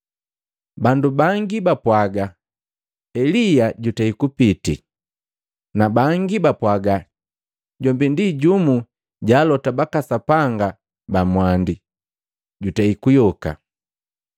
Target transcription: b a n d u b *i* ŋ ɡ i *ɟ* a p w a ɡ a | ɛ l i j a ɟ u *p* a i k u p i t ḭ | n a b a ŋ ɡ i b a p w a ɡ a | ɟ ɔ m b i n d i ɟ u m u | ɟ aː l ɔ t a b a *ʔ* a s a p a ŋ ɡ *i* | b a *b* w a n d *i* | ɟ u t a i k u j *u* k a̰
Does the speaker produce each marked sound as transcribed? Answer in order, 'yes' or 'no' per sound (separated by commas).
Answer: no, no, no, no, no, no, yes, no